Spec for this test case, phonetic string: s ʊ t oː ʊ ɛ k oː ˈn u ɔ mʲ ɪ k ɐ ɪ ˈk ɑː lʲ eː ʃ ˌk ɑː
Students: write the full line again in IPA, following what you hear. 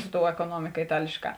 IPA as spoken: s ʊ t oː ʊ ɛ k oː ˈn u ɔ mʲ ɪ k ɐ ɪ ˈt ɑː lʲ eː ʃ ˌk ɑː